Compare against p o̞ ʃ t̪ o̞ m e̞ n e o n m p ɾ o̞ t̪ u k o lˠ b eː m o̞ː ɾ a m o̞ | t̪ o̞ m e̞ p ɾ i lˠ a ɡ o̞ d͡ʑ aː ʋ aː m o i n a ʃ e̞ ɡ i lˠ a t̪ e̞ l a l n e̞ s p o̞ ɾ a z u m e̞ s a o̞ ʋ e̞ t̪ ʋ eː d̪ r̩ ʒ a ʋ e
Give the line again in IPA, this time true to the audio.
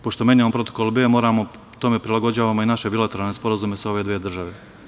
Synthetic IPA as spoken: p o̞ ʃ t̪ o̞ m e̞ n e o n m p ɾ o̞ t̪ o k o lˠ b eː m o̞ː ɾ a m o̞ | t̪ o̞ m e̞ p ɾ i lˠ a ɡ o̞ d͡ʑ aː ʋ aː m o i n a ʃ e̞ b i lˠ a t̪ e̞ ɾ a l n e̞ s p o̞ ɾ a z u m e̞ s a o̞ ʋ e̞ d̪ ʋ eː d̪ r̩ ʒ a ʋ e